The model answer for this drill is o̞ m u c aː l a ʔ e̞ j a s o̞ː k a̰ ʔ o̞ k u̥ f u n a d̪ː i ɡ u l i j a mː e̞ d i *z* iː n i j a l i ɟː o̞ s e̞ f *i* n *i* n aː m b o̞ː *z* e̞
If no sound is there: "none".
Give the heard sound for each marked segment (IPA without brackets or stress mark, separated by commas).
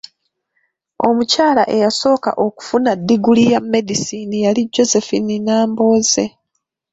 s, i, i, z